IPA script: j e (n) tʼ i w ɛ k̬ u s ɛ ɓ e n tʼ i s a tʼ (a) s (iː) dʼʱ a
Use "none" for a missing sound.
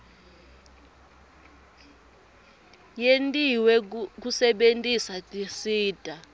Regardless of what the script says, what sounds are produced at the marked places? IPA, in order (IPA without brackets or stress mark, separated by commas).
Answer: n, i, iː